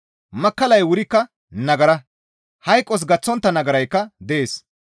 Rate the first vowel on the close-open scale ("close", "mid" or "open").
open